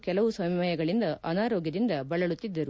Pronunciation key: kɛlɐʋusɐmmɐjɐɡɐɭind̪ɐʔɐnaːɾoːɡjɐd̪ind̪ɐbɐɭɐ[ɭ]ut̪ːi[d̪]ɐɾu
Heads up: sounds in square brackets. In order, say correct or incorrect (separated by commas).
correct, incorrect